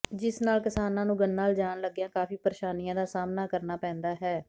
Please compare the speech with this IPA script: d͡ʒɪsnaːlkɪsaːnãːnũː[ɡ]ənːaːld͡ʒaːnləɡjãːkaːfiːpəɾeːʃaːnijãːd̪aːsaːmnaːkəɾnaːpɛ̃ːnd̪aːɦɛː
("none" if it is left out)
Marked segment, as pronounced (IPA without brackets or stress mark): ɡ